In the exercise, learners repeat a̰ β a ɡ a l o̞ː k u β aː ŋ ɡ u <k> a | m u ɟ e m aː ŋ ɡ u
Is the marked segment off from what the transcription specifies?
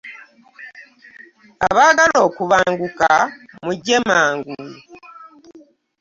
no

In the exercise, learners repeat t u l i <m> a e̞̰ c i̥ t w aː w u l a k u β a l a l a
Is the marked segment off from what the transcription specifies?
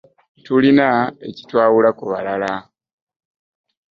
yes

